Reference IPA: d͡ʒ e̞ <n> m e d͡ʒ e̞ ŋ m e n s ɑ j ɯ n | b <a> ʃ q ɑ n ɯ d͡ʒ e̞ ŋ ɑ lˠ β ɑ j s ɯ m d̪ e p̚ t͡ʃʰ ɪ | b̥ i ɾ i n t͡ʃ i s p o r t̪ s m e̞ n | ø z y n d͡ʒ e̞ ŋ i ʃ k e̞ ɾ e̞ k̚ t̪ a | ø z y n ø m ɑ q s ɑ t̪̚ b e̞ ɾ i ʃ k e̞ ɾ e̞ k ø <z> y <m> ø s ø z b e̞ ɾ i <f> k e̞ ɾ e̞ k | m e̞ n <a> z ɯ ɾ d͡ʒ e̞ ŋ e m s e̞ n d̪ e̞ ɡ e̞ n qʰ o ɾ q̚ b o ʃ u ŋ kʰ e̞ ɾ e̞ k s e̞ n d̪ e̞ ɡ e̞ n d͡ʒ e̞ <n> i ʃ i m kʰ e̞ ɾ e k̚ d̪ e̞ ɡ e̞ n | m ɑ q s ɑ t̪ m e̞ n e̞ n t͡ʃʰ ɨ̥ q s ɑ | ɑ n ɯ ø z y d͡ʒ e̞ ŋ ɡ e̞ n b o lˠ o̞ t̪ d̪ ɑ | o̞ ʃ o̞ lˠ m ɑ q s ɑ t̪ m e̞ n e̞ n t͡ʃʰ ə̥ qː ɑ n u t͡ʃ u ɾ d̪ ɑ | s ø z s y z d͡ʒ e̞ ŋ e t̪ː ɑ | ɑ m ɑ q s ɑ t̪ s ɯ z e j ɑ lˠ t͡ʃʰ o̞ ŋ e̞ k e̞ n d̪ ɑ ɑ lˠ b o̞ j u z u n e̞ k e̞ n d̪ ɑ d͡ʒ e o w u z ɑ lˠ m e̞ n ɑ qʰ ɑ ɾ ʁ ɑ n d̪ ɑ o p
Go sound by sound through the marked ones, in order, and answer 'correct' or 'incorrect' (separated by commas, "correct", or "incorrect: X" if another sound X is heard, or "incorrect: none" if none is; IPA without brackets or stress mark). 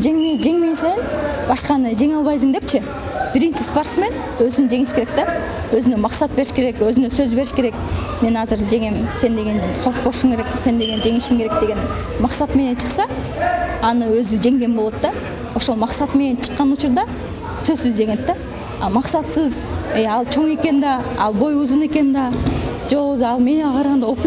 incorrect: ŋ, incorrect: ɑ, correct, incorrect: n, incorrect: ʃ, incorrect: ɑ, incorrect: ŋ